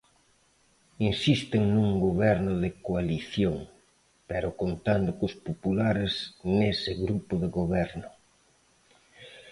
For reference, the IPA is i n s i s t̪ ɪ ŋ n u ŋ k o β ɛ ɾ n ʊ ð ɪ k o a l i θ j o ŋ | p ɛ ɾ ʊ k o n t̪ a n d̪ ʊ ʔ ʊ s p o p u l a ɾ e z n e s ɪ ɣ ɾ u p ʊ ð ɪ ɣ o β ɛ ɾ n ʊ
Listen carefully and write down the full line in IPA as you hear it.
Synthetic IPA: i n s i s t̪ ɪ ŋ n u ŋ ɡ o β ɛ ɾ n ʊ ð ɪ k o a l i θ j o ŋ | p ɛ ɾ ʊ k o n t̪ a n d̪ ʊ k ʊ s p o p u l a ɾ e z n e s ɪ ɣ ɾ u p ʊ ð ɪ ɣ o β ɛ ɾ n ʊ

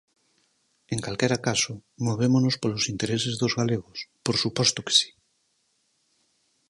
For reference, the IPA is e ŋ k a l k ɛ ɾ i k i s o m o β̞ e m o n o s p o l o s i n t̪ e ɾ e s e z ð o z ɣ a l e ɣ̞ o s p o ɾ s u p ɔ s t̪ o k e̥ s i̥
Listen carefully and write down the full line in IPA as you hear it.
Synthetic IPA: e ŋ k a l k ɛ ɾ a k a s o m o β̞ e m o n o s p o l o s i n t̪ e ɾ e s e z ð o z ɣ a l e ɣ̞ o s p o ɾ s u p ɔ s t̪ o k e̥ s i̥

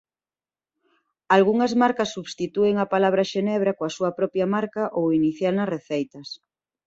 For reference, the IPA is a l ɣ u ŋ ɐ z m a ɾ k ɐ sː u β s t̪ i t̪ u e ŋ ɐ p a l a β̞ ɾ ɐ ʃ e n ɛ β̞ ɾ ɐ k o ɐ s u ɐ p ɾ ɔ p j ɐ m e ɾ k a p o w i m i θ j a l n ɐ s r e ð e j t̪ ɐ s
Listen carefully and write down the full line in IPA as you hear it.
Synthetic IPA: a l ɣ u ŋ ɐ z m a ɾ k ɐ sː u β s t̪ i t̪ u e ŋ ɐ p a l a β̞ ɾ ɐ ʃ e n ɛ β̞ ɾ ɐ k o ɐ s u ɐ p ɾ ɔ p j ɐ m a ɾ k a ʔ o w i n i θ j a l n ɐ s r e θ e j t̪ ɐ s

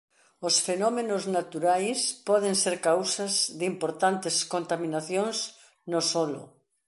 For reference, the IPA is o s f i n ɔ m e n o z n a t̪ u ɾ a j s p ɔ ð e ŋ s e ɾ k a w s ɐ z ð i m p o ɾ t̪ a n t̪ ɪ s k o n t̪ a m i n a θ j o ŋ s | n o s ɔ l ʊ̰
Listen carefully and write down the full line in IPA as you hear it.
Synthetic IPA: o s f e n ɔ m e n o z n a t̪ u ɾ a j s p ɔ ð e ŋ s e ɾ k a w s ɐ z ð i m p o ɾ t̪ a n t̪ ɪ s k o n t̪ a m i n a θ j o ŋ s | n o s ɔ l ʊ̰

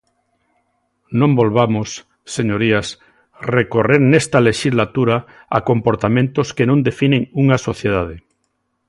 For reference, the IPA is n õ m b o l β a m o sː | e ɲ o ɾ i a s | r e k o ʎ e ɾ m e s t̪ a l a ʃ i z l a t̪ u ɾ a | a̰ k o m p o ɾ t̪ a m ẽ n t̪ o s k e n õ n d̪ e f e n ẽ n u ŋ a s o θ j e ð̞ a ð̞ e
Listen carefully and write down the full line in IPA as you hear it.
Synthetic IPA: n õ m b o l β a m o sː | e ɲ o ɾ i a s | r e k o r e ɾ n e s t̪ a l e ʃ i z l a t̪ u ɾ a | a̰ k o m p o ɾ t̪ a m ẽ n t̪ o s k e n õ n d̪ e f i n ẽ ŋ u ŋ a s o θ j e ð̞ a ð̞ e

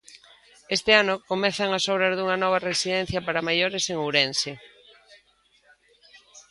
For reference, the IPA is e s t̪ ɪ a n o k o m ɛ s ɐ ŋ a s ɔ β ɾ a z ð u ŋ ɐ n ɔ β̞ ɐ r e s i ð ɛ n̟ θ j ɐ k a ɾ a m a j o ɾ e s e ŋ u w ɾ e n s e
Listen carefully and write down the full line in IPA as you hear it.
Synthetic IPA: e s t̪ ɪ a n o k o m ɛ θ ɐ ŋ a s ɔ β ɾ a z ð u ŋ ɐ n ɔ β̞ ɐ r e s i ð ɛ n̟ θ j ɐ p a ɾ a m a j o ɾ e s e ŋ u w ɾ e n s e

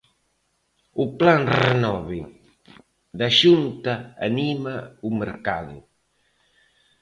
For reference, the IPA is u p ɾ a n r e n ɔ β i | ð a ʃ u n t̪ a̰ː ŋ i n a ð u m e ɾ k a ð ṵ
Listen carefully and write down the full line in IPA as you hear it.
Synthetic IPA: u p l a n r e n ɔ β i | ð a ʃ u n t̪ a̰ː n i m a u m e ɾ k a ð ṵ

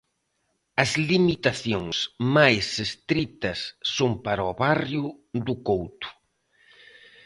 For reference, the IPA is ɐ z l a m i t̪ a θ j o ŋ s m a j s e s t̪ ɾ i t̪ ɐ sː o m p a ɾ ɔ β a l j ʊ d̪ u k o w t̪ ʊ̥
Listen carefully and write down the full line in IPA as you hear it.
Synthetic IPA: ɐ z l i m i t̪ a θ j o ŋ s m a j s e s t̪ ɾ i t̪ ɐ sː o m p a ɾ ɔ β a r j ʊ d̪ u k o w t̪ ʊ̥

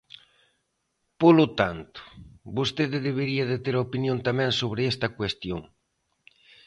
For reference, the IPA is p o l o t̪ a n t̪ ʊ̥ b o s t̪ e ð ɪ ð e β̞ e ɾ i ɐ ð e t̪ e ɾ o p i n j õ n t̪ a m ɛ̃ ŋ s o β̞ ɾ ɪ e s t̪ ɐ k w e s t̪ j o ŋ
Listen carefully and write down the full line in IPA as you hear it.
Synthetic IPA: p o l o t̪ a n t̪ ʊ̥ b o s t̪ e ð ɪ ð e β̞ e ɾ i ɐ ð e t̪ e ɾ o p i n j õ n t̪ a m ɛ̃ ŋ s o β̞ ɾ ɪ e s t̪ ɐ k w e s t̪ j o ŋ

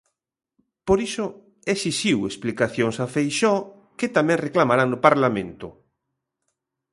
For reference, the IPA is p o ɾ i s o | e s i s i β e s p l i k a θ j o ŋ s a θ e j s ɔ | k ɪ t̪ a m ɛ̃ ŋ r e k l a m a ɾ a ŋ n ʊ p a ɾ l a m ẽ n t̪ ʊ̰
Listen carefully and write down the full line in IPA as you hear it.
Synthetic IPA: p o ɾ i s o | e s i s i w e s p l i k a θ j o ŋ s a f e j ʃ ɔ | k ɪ t̪ a m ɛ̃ ŋ r e k l a m a ɾ a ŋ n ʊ p a ɾ l a m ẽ n t̪ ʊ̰

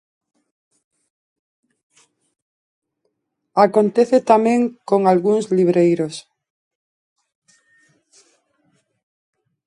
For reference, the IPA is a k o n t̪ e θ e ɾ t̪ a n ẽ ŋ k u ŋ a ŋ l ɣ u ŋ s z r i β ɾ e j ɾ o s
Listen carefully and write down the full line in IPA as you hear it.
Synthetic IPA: a k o n t̪ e θ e t̪ a m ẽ ŋ k o ŋ a l ɣ u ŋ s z l i β ɾ e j ɾ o s

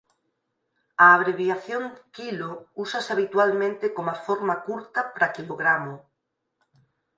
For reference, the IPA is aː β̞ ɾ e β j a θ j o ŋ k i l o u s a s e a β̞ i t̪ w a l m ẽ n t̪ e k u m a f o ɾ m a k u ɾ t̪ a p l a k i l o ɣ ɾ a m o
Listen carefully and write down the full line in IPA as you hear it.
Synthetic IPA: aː β̞ ɾ e β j a θ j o ŋ k i l o u s a s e a β̞ i t̪ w a l m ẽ n t̪ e k o m a f o ɾ m a k u ɾ t̪ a p ɾ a k i l o ɣ ɾ a m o

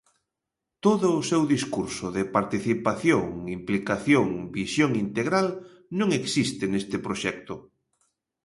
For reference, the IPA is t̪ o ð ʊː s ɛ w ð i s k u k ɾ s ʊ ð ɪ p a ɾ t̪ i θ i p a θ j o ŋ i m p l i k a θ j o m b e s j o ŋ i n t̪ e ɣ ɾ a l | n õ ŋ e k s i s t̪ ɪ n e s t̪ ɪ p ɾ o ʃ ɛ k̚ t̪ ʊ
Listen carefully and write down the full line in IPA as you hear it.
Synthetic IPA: t̪ o ð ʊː s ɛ w ð i s k u ɾ s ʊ ð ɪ p a ɾ t̪ i θ i p a θ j o ŋ i m p l i k a θ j o ŋ b i s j o ŋ i n t̪ e ɣ ɾ a l | n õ ŋ e k s i s t̪ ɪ n e s t̪ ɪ p ɾ o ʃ ɛ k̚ t̪ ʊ

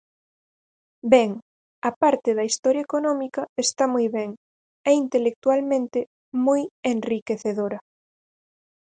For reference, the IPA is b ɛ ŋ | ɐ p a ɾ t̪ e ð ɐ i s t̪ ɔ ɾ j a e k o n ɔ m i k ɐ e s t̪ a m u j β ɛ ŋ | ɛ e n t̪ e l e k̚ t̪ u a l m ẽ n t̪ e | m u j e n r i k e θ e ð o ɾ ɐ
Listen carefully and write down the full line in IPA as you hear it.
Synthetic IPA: b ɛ ŋ | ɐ p a ɾ t̪ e ð ɐ i s t̪ ɔ ɾ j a e k o n ɔ m i k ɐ e s t̪ a m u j β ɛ ŋ | ɛ i n t̪ e l e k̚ t̪ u a l m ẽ n t̪ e | m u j e n r i k e θ e ð o ɾ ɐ

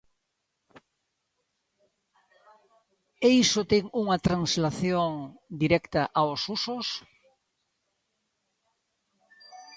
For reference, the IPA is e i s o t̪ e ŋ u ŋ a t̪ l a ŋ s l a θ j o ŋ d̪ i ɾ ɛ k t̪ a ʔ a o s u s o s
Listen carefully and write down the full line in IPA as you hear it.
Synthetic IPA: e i s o t̪ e ŋ u ŋ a t̪ ɾ a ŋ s l a θ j o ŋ d̪ i ɾ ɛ k t̪ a ʔ a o s u s o s

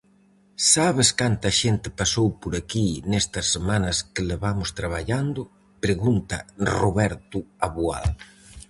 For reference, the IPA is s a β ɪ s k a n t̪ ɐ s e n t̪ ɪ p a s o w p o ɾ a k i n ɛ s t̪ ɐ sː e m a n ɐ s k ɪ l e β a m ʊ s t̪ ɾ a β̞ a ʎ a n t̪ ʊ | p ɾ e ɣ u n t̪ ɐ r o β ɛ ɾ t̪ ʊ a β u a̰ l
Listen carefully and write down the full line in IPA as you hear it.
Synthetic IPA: s a β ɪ s k a n t̪ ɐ ʃ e n t̪ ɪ p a s o w p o ɾ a k i n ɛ s t̪ ɐ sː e m a n ɐ s k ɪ l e β a m ʊ s t̪ ɾ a β̞ a ʎ a n d̪ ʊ | p ɾ e ɣ u n t̪ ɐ r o β ɛ ɾ t̪ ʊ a β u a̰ l

